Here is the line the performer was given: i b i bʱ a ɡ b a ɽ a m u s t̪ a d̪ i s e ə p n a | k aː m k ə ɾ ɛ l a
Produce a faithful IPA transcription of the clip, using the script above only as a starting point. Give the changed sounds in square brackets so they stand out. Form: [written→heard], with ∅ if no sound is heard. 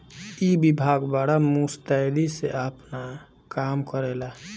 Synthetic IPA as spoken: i b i bʱ a ɡ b a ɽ a m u s t̪ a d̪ i s e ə p n a | k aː m k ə ɾ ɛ l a